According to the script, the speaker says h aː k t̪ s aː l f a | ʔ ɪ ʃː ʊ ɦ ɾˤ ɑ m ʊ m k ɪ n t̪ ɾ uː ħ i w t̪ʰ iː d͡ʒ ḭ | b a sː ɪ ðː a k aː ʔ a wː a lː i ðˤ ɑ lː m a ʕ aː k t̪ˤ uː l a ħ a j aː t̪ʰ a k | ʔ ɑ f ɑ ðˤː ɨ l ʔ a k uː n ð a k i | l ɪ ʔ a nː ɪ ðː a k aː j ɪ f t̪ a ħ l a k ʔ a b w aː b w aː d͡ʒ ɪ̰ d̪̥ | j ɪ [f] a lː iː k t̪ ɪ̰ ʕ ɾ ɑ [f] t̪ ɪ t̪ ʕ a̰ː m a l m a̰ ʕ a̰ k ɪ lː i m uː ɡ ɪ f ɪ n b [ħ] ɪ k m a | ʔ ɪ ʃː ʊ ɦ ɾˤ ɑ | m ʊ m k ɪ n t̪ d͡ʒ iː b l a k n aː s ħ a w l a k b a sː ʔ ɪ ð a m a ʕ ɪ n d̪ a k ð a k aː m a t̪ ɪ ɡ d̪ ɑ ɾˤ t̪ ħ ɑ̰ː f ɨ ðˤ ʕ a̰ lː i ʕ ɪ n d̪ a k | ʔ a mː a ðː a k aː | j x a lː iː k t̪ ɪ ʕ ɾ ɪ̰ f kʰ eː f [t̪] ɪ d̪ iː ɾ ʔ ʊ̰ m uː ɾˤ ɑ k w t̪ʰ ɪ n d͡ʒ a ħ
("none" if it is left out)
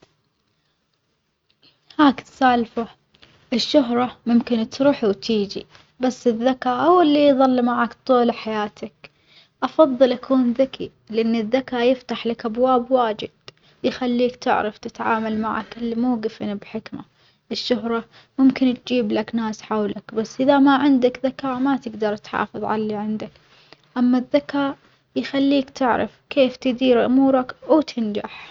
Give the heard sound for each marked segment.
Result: x, f, ħ, t̪

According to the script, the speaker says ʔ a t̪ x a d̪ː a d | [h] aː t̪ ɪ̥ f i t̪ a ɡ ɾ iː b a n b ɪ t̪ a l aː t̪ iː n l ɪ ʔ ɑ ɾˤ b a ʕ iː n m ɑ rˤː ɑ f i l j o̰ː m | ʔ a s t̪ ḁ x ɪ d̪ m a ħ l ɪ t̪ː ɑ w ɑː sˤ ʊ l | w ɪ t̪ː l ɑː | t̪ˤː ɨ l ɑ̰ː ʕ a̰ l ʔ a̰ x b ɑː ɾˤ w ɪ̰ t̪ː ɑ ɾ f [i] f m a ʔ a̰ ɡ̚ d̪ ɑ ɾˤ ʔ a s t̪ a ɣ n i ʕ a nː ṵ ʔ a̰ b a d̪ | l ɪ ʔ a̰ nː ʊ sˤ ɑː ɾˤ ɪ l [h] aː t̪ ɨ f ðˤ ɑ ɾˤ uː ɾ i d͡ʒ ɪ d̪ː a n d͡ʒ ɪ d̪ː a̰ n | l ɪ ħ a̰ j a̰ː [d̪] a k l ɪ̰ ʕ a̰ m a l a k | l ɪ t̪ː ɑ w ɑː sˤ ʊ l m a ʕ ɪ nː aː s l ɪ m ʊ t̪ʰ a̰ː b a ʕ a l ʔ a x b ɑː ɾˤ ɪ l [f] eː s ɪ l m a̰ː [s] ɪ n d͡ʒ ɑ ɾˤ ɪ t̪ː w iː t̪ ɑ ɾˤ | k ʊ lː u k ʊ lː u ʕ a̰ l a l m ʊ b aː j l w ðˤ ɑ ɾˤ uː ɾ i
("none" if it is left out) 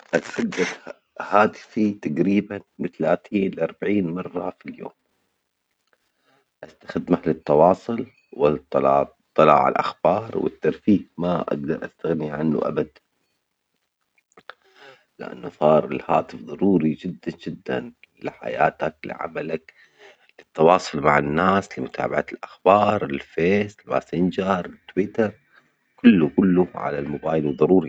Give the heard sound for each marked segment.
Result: h, iː, h, t̪, f, s

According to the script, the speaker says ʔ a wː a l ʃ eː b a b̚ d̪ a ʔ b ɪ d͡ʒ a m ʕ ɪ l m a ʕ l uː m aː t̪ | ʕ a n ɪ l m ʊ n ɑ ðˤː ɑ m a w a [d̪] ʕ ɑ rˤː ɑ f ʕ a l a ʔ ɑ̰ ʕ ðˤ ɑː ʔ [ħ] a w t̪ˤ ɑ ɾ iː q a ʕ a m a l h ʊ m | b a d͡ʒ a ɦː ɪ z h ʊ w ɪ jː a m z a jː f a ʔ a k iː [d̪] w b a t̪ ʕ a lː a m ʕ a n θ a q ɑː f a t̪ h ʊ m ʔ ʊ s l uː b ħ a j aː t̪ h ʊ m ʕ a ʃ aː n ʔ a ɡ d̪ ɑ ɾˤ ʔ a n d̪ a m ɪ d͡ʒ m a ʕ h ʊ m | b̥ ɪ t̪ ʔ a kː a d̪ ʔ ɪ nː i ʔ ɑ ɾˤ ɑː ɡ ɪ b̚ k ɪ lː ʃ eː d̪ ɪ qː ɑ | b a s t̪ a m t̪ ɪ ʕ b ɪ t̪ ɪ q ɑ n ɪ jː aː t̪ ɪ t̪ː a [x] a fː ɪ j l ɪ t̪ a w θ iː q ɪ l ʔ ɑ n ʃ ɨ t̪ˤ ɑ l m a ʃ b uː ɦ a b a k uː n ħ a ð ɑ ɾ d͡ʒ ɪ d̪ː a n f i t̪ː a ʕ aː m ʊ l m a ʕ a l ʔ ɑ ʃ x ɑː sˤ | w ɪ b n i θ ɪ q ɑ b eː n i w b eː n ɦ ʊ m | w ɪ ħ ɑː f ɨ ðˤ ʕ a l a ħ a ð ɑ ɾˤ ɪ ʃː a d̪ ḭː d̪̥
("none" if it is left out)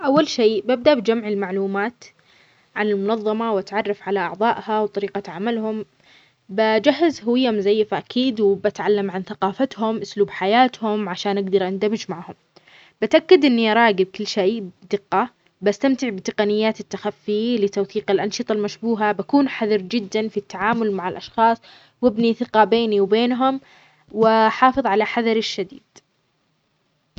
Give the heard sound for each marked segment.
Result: t̪, h, d̪, x

